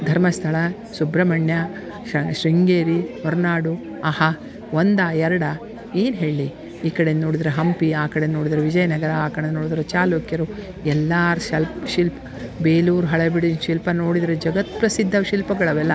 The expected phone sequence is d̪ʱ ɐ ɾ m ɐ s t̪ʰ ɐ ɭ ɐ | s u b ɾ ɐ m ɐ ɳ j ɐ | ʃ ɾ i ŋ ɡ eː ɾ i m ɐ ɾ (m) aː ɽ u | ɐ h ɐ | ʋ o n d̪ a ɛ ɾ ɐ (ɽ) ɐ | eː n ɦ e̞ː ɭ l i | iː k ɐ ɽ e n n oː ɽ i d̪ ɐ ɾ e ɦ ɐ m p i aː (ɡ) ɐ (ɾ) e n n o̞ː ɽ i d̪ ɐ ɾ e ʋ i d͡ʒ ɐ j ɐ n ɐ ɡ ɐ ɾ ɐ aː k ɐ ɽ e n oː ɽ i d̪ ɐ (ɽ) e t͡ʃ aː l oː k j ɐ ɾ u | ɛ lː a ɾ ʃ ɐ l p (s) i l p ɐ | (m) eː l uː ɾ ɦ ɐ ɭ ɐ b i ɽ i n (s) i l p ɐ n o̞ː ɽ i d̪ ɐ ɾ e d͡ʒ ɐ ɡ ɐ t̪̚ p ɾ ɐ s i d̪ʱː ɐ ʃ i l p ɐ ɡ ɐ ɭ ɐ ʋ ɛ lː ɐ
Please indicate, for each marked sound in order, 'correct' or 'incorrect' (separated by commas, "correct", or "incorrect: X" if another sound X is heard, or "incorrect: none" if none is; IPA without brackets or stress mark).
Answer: incorrect: n, correct, incorrect: k, incorrect: ɽ, incorrect: ɾ, incorrect: ʃ, incorrect: b, incorrect: ʃ